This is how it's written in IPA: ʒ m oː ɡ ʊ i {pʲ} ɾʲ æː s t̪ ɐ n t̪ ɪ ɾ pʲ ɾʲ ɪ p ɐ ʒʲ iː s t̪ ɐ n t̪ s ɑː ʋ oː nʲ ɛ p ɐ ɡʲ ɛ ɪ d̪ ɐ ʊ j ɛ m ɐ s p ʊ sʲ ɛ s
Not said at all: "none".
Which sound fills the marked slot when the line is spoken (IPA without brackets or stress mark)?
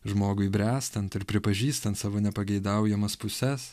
bʲ